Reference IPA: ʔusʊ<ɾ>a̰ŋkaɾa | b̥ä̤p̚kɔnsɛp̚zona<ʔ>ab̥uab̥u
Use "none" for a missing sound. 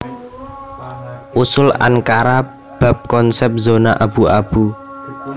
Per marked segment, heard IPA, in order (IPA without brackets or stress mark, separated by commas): l, ʔ